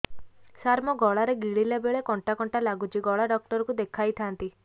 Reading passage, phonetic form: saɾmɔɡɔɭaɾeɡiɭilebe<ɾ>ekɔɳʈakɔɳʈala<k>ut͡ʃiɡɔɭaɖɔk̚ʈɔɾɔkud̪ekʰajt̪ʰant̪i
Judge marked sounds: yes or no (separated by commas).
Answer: no, no